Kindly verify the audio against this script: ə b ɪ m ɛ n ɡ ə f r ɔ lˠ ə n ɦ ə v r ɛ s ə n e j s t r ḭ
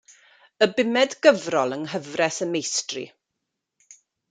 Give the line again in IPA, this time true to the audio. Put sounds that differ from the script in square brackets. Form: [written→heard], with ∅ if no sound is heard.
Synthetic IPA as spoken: ə b ɪ m ɛ [n→d] ɡ ə [f→v] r ɔ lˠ ə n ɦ ə v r ɛ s ə [n→m] e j s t r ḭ